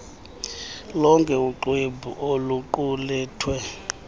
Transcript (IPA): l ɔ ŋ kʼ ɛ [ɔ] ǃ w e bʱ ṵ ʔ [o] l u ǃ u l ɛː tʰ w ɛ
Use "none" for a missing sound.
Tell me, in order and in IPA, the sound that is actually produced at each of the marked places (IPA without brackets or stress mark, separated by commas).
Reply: u, o